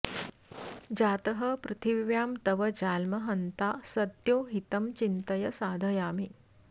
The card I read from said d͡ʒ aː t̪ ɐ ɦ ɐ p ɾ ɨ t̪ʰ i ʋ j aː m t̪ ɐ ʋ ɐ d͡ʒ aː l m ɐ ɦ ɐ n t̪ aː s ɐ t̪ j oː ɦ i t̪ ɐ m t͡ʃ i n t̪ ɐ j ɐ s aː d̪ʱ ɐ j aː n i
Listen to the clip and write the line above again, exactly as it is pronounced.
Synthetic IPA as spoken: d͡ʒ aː t̪ ɐ ɦ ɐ p ɾ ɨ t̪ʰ i ʋ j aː m t̪ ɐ ʋ ɐ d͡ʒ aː l m ɐ ɦ ɐ n t̪ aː s ɐ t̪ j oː ɦ i t̪ ɐ m t͡ʃ i n t̪ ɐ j ɐ s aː d̪ʱ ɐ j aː m i